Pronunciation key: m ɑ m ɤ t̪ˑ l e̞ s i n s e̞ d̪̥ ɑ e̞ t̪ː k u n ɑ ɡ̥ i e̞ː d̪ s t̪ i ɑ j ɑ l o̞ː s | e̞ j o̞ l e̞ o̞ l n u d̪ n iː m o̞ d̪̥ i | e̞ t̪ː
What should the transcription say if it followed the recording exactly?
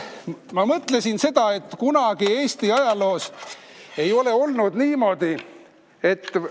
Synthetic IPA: m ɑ m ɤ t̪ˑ l e̞ s i n s e̞ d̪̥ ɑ e̞ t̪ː k u n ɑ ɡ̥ i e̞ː s t̪ i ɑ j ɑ l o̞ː s | e̞ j o̞ l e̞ o̞ l n u d̪ n iː m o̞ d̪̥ i | e̞ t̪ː